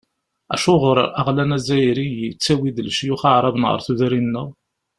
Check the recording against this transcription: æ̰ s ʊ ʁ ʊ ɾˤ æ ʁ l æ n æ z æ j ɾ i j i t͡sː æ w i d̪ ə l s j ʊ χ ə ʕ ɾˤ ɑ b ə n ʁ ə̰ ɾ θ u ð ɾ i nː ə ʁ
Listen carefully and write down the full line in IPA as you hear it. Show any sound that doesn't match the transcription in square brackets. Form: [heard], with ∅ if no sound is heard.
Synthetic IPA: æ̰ [ʃ] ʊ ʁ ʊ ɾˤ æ ʁ l æ n æ z æ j ɾ i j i t͡sː æ w i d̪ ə l [ʃ] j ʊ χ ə ʕ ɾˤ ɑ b ə n ʁ ə̰ ɾ θ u ð ɾ i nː ə ʁ